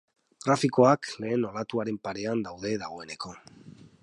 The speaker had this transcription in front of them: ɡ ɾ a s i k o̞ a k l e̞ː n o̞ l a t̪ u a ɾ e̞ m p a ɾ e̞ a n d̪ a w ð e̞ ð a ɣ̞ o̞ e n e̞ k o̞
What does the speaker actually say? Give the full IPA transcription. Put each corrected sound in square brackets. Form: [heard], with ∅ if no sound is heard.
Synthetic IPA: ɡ ɾ a [f] i k o̞ a k l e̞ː n o̞ l a t̪ u a ɾ e̞ m p a ɾ e̞ a n d̪ a w ð e̞ ð a ɣ̞ o̞ e n e̞ k o̞